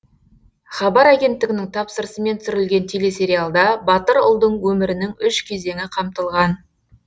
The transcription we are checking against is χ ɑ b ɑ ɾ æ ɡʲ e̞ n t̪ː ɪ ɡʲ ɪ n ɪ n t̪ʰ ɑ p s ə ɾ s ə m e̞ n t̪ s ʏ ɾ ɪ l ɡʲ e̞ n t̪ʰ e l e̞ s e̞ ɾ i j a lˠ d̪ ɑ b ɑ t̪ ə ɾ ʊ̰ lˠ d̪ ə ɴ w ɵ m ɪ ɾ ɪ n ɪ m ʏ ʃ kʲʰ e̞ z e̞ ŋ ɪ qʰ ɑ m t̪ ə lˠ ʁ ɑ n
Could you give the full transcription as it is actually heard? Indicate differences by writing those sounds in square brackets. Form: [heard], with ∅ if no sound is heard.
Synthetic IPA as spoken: χ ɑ b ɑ ɾ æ ɡʲ e̞ n t̪ː ɪ ɡʲ ɪ n ɪ [ŋ] t̪ʰ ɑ p s ə ɾ s ə m e̞ n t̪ s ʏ ɾ ɪ l ɡʲ e̞ n t̪ʰ e l e̞ s e̞ ɾ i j a lˠ d̪ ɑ b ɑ t̪ ə ɾ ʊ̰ lˠ d̪ ə ɴ w ɵ m ɪ ɾ ɪ n ɪ [ŋ] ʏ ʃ kʲʰ e̞ z e̞ ŋ ɪ qʰ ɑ m t̪ ə lˠ ʁ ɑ n